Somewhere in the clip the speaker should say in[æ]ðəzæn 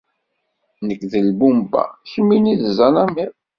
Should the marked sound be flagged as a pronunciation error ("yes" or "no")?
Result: yes